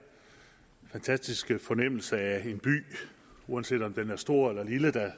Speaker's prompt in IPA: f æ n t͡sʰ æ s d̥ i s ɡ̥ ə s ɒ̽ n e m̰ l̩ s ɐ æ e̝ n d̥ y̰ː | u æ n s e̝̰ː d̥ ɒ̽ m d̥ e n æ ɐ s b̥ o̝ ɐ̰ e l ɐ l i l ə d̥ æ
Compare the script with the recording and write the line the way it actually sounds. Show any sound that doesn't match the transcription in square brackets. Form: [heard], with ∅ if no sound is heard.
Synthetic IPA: f æ n t͡sʰ æ s d̥ i s ɡ̥ ə [f] ɒ̽ n e m̰ l̩ s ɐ æ e̝ n [b̥] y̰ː | u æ n s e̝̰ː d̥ ɒ̽ m d̥ e n æ ɐ s [d̥] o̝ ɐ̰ e l ɐ l i l ə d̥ æ